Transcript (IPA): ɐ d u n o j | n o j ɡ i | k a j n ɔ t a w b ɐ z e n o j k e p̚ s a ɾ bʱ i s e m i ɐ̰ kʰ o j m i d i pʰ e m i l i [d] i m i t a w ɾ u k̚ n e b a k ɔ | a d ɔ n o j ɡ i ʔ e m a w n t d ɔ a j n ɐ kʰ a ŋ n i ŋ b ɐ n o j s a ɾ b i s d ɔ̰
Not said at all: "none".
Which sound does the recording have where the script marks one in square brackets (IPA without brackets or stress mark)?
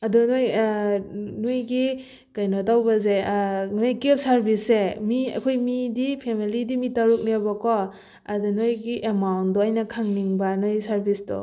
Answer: d